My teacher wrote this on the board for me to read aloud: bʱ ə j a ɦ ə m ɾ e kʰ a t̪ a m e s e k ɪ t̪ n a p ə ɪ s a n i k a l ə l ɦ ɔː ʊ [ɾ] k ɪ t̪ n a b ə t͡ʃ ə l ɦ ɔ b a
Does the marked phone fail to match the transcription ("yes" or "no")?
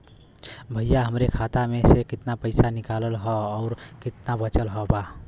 no